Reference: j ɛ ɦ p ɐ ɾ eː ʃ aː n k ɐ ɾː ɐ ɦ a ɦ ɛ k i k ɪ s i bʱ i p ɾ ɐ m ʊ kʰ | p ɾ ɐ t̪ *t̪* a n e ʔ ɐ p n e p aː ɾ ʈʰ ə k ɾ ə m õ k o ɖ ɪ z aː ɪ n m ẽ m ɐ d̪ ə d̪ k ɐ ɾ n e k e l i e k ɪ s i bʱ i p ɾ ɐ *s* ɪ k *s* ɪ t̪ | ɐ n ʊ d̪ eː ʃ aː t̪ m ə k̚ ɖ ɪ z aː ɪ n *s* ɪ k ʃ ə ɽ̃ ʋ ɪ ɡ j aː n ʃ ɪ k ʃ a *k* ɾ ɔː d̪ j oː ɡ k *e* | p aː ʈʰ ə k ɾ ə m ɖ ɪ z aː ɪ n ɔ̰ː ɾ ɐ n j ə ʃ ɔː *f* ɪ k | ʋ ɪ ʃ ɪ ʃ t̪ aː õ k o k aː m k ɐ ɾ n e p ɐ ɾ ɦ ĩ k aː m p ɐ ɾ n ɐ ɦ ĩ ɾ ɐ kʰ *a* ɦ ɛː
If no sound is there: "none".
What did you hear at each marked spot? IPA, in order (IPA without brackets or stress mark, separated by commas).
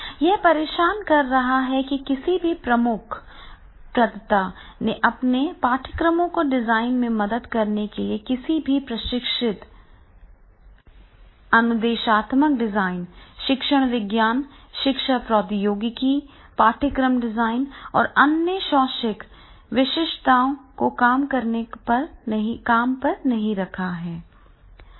t̪, ʃ, ʃ, ʃ, p, i, ʃ, a